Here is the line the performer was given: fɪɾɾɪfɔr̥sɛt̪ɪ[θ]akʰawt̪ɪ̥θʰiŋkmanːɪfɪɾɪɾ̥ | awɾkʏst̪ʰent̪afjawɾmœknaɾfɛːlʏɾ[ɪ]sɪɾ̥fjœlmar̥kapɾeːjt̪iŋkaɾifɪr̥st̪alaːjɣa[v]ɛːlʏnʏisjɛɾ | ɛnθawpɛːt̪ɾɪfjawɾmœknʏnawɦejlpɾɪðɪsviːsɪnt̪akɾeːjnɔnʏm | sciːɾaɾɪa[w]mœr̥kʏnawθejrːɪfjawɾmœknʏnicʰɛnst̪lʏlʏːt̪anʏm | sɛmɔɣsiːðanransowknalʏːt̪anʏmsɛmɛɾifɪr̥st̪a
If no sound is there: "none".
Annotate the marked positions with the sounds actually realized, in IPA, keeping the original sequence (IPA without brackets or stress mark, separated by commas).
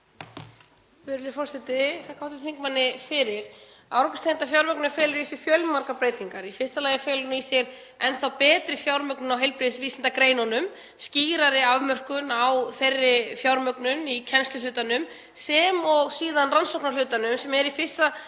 θ, i, f, v